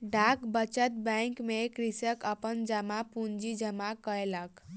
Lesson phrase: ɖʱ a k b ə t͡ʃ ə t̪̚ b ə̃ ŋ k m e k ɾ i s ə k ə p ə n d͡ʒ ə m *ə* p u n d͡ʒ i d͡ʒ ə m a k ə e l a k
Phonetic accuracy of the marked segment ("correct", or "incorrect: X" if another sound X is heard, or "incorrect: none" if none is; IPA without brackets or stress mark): incorrect: a